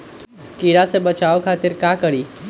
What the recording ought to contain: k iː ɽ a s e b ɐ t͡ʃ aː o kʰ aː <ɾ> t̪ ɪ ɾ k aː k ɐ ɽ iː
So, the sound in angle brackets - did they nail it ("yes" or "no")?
no